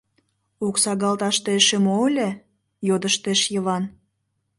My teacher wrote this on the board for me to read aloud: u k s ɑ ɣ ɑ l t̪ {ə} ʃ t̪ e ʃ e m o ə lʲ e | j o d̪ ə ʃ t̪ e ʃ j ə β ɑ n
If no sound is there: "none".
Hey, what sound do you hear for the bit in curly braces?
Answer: ɑ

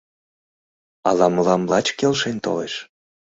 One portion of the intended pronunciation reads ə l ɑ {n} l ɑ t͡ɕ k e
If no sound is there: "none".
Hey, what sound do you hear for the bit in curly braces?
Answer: m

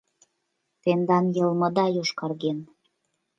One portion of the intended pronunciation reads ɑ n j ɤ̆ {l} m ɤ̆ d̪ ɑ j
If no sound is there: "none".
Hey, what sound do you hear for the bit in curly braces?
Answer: l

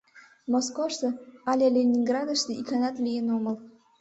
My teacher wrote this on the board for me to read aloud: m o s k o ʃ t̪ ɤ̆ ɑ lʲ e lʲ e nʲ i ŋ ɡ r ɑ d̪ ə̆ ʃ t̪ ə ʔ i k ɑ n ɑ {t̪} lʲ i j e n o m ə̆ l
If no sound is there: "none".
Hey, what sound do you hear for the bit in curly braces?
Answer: t̪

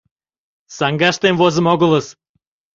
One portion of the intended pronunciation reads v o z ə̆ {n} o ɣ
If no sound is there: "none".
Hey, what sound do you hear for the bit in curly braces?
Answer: m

